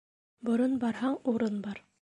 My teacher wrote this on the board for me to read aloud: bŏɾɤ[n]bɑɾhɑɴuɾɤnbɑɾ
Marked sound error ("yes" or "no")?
no